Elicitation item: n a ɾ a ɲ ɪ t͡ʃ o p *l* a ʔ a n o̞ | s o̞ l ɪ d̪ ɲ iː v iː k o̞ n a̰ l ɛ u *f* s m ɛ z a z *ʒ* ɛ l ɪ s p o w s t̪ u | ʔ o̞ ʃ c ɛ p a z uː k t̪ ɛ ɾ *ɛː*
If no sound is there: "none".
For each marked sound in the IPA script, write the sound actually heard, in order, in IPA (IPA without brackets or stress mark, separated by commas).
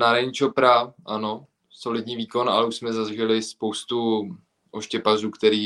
ɾ, ʃ, ʒ, iː